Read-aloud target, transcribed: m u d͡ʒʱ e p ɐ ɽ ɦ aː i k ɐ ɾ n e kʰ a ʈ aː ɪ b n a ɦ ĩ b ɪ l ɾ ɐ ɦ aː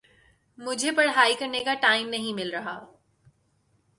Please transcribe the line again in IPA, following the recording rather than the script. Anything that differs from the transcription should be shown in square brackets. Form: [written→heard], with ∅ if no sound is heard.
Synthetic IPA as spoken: m [u→ʊ] d͡ʒʱ e p ɐ ɽ ɦ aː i k ɐ ɾ n e [kʰ→k] a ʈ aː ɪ [b→m] n [a→ɐ] ɦ ĩ [b→m] ɪ l ɾ ɐ ɦ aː